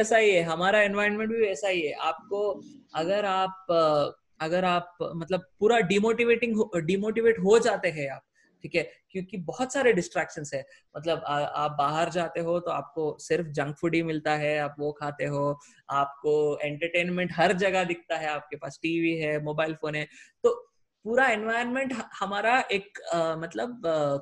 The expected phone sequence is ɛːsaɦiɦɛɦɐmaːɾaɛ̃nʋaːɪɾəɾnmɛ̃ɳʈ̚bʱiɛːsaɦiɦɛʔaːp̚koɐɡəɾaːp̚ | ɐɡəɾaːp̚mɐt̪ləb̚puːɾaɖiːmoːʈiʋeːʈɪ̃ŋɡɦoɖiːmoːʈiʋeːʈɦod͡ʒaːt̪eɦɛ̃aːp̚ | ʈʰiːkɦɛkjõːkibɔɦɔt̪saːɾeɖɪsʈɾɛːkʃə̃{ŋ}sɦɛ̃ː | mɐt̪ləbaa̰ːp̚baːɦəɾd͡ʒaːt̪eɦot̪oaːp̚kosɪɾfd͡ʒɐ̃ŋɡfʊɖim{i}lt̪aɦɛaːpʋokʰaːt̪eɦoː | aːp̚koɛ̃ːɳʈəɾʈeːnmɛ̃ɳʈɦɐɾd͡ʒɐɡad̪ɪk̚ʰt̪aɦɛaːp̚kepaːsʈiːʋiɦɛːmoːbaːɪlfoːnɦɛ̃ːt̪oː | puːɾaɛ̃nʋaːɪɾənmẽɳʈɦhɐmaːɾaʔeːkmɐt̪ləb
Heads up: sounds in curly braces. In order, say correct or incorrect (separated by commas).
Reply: incorrect, incorrect